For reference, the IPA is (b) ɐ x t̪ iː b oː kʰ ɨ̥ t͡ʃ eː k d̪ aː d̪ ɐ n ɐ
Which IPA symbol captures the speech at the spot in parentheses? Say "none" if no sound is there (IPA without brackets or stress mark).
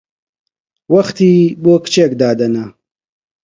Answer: w